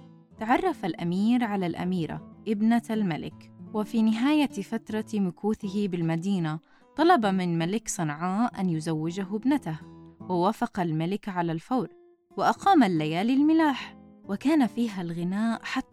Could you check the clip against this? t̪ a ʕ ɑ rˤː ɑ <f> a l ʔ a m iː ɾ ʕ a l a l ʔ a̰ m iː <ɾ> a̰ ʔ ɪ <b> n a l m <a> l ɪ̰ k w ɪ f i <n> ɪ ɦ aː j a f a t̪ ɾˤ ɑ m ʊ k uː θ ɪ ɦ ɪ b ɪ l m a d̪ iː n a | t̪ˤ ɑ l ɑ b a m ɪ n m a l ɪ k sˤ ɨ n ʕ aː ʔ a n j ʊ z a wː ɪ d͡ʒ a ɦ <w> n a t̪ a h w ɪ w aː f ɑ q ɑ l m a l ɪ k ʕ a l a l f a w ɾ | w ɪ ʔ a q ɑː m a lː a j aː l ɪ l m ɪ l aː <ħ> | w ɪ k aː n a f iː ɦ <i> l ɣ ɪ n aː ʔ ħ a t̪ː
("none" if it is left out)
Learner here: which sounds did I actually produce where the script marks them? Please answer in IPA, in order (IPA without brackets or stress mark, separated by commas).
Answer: f, ɾ, b, a, n, b, ħ, a